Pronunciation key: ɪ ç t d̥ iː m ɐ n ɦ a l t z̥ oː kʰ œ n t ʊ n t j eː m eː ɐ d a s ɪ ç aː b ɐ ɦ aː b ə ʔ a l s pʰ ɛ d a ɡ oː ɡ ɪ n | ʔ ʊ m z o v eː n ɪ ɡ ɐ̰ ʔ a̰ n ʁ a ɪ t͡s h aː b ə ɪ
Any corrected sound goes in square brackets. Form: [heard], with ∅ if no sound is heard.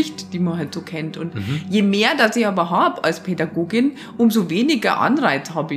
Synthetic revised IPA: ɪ ç t d̥ iː m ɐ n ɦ a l t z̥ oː kʰ [ɛ] n t ʊ n t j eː m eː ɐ d a s ɪ ç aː b ɐ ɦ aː b ə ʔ a l s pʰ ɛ d a ɡ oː ɡ ɪ n | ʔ ʊ m z o v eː n ɪ ɡ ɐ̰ ʔ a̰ n ʁ a ɪ t͡s h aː b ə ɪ